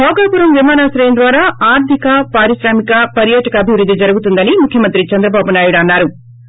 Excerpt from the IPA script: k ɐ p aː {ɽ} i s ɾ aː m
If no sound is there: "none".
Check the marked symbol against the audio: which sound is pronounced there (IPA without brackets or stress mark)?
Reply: ɾ